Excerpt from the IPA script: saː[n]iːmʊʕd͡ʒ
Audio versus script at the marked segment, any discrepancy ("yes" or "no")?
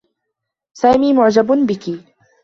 yes